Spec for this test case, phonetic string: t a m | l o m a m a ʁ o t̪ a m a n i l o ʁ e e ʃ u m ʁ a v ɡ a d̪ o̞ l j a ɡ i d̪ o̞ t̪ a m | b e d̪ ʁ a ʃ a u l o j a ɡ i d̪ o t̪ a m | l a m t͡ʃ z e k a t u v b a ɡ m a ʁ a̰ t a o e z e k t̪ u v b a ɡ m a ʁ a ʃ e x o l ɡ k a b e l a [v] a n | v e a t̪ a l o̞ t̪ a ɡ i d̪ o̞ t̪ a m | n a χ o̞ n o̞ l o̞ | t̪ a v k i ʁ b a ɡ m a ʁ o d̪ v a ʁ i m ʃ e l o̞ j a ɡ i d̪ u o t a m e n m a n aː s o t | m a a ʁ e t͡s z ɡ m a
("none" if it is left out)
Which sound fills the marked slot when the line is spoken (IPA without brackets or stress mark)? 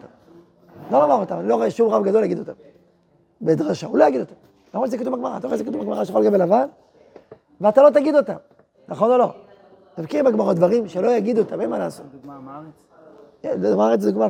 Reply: v